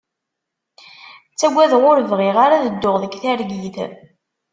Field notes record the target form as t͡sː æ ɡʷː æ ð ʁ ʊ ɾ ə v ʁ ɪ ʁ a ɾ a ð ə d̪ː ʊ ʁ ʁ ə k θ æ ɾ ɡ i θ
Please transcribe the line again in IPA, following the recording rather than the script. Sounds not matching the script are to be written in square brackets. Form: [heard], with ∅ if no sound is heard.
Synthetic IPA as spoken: t͡sː æ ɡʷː æ ð ʁ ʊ ɾ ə v ʁ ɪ ʁ a ɾ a ð ə d̪ː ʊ ʁ [ð] ə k θ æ ɾ ɡ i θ